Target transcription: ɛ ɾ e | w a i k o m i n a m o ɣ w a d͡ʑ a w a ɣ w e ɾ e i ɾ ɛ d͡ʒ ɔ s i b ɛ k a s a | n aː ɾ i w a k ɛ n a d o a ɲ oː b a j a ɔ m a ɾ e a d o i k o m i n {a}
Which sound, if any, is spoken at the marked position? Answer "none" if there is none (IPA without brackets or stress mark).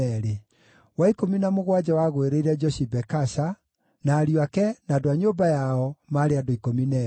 ɛ